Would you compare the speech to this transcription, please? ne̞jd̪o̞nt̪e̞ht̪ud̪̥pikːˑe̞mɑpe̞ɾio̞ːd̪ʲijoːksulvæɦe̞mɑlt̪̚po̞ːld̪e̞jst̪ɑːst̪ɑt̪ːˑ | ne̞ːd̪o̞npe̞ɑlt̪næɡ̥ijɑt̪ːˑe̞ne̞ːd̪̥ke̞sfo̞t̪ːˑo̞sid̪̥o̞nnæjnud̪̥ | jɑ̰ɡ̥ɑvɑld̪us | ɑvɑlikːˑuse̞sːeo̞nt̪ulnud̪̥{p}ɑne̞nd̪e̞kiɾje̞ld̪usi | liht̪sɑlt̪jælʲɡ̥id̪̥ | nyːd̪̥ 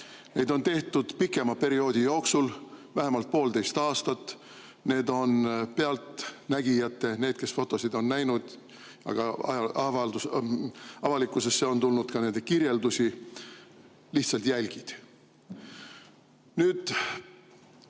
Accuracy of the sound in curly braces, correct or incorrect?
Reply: incorrect